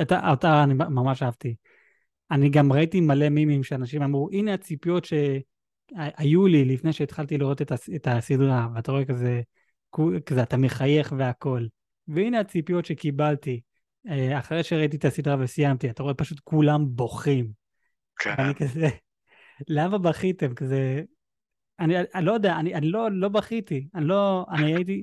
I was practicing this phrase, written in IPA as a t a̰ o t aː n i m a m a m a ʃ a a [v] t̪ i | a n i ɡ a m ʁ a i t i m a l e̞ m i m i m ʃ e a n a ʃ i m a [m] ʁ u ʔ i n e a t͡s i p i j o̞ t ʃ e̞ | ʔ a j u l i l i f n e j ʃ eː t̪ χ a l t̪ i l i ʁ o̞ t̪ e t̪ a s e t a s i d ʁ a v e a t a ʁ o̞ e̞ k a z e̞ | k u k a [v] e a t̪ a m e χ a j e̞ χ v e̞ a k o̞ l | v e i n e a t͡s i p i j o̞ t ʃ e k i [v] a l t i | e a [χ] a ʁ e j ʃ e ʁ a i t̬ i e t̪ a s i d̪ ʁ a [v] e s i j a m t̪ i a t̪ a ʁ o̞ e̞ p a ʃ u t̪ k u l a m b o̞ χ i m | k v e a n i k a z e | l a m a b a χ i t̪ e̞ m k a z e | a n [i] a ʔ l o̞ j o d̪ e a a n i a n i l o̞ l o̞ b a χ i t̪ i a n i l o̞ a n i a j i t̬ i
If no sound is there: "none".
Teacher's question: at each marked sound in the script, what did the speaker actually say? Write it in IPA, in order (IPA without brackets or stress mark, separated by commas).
v, m, z, b, χ, v, i